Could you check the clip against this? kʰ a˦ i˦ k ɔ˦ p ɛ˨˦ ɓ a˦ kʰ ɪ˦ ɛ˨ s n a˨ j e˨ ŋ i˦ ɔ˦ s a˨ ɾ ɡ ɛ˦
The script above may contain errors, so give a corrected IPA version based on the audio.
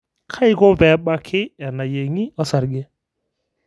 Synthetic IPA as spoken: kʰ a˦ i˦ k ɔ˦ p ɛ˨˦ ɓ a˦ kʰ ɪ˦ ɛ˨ n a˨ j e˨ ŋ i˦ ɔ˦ s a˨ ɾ ɡ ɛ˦